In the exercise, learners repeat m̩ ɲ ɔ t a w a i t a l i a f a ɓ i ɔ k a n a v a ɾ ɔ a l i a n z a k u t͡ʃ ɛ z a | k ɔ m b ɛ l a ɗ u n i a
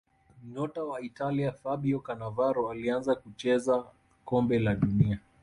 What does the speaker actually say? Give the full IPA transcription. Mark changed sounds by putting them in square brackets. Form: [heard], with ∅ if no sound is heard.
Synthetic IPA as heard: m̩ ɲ ɔ t a w a i t a l i a f a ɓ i ɔ k a n a v a ɾ ɔ a l i a n z a k u t͡ʃ ɛ z a | k ɔ m b ɛ l a ɗ u n i a